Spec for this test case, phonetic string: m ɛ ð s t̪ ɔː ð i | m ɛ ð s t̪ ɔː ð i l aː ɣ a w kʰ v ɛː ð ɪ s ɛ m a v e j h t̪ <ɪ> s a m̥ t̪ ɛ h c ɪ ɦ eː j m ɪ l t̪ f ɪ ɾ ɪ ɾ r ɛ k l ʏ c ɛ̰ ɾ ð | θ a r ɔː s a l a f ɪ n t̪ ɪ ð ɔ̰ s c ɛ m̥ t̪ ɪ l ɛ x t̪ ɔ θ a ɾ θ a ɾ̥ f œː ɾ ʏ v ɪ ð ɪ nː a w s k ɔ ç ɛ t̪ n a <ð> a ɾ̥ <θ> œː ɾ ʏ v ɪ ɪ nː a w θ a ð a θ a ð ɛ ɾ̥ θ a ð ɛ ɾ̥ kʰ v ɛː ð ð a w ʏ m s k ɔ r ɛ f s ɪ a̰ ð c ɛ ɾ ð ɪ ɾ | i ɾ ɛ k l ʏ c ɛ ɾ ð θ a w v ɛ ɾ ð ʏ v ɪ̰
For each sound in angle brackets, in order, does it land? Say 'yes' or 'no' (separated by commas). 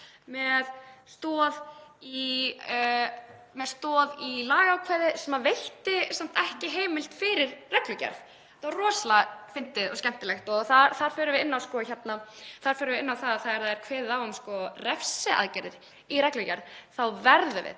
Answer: yes, no, no